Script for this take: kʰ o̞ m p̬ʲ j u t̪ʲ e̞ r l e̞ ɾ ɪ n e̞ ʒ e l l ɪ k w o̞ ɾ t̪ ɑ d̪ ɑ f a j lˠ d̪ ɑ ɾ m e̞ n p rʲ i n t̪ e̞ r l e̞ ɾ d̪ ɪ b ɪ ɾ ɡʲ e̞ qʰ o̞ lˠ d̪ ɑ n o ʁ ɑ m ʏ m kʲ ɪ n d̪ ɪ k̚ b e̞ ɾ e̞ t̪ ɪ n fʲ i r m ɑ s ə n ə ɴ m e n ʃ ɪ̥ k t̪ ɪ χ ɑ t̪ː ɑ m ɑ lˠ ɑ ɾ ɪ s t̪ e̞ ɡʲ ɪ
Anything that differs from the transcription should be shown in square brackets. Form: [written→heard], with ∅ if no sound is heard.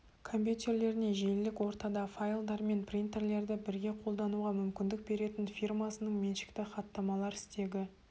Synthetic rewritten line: kʰ o̞ m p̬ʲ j u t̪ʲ e̞ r l e̞ ɾ ɪ n e̞ ʒ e l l ɪ k w o̞ ɾ t̪ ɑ d̪ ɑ f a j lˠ d̪ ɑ ɾ m e̞ n p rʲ i n t̪ e̞ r l e̞ ɾ d̪ ɪ b ɪ ɾ ɡʲ e̞ qʰ o̞ lˠ d̪ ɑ n [o→u] ʁ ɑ m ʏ m kʲ ɪ n d̪ ɪ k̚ b e̞ ɾ e̞ t̪ ɪ n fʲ i r m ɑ s ə n ə ɴ m e n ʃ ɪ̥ k t̪ ɪ χ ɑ t̪ː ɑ m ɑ lˠ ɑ ɾ ɪ s t̪ e̞ ɡʲ ɪ